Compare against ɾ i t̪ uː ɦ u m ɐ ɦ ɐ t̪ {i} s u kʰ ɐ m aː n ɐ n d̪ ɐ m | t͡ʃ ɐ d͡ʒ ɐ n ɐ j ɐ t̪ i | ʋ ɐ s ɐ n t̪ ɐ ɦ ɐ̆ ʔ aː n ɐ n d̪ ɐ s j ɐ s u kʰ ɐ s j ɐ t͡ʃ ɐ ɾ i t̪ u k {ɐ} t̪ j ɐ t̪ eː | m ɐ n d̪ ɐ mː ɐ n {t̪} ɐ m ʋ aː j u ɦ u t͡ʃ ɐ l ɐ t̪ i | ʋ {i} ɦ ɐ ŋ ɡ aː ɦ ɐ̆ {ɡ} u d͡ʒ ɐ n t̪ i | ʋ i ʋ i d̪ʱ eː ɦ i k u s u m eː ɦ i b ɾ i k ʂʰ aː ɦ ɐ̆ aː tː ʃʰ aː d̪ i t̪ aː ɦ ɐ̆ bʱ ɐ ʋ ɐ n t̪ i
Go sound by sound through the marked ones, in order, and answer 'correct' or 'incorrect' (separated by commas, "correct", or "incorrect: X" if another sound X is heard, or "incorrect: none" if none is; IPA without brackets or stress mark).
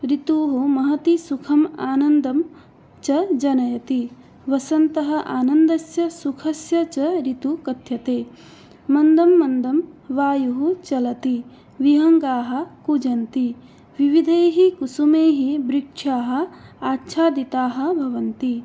correct, correct, incorrect: d̪, correct, incorrect: k